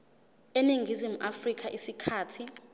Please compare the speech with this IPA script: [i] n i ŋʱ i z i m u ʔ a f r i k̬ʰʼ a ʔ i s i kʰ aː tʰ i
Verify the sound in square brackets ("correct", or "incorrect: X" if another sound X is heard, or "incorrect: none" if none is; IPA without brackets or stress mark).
incorrect: e